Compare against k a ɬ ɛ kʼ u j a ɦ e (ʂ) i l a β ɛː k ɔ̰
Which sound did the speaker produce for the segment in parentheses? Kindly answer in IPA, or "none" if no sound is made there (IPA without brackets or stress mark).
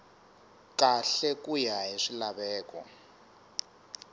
ʂ